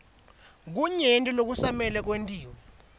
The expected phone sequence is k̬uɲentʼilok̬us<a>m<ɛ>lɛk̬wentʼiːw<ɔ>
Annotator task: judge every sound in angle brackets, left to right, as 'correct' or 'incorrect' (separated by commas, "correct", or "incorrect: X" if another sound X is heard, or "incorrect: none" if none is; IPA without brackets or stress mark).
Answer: correct, correct, correct